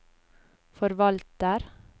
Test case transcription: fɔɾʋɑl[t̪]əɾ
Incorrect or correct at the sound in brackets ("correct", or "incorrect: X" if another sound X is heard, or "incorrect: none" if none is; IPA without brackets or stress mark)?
correct